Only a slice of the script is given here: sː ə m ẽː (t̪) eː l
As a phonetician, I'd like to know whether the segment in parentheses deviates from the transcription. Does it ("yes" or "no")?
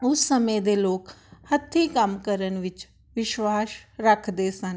yes